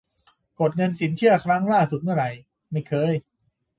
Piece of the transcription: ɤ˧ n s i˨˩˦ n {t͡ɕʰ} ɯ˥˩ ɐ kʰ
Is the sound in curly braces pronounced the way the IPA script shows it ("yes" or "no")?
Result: yes